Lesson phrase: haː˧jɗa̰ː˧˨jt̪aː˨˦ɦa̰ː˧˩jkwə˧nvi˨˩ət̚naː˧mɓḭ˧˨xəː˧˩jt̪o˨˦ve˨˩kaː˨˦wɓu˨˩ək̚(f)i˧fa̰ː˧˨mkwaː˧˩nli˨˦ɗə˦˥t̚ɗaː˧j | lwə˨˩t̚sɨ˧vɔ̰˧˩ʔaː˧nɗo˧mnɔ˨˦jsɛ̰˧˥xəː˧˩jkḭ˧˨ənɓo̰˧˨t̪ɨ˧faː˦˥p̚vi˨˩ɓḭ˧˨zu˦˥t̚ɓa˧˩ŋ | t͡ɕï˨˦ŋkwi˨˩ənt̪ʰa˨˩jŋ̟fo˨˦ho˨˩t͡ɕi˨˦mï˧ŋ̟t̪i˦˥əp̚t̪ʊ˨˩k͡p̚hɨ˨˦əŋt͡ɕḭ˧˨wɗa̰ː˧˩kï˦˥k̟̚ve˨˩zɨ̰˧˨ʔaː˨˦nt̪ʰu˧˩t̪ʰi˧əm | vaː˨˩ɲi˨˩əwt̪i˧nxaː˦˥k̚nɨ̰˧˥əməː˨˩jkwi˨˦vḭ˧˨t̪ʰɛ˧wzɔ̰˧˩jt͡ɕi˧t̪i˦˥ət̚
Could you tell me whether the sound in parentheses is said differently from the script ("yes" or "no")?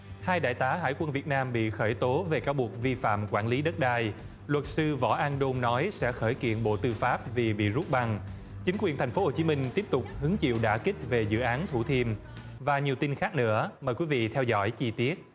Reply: yes